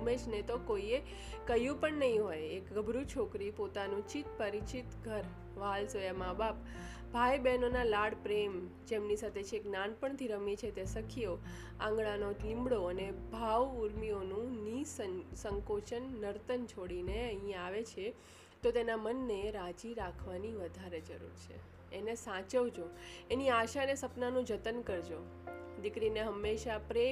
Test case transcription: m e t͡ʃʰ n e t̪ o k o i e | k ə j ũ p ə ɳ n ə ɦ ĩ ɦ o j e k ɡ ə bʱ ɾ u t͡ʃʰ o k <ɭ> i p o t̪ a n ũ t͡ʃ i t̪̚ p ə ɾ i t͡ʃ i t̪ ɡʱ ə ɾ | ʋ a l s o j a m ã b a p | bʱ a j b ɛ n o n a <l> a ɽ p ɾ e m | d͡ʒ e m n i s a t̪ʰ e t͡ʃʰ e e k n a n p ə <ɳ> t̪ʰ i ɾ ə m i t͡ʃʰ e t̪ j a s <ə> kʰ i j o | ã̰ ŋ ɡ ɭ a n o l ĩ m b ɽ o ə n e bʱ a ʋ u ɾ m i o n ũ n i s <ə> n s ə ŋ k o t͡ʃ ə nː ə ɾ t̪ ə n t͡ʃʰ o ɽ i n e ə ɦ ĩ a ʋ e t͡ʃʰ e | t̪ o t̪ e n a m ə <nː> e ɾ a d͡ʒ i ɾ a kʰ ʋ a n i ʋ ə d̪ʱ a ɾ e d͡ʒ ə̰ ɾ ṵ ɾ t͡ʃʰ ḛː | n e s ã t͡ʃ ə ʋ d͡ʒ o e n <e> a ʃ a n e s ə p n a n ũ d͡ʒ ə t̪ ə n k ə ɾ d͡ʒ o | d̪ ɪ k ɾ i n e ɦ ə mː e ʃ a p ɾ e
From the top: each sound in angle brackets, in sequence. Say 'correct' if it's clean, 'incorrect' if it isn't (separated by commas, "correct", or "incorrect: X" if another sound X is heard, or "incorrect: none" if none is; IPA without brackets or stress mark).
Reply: incorrect: ɾ, correct, correct, correct, correct, correct, incorrect: i